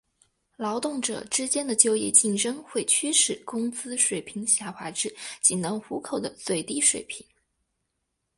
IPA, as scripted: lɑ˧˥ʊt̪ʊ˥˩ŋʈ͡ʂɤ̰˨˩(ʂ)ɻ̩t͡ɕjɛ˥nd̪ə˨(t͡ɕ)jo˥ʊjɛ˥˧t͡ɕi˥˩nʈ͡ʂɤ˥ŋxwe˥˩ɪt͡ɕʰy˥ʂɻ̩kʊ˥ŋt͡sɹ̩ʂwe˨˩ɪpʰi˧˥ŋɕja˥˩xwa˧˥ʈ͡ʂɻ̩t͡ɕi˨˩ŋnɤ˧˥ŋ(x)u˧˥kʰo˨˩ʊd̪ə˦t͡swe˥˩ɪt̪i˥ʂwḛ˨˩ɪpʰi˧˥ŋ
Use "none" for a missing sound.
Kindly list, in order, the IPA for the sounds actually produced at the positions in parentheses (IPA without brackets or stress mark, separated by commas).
ʈ͡ʂ, t͡ɕ, x